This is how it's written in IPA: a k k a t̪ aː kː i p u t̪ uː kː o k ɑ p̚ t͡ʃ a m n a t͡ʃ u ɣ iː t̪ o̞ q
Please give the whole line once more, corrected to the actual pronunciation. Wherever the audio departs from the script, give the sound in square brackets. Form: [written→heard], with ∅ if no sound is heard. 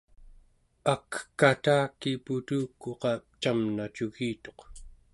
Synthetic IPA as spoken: a k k a t̪ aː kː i p u t̪ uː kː o [k→q] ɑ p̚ t͡ʃ a m n a t͡ʃ u ɣ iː t̪ o̞ q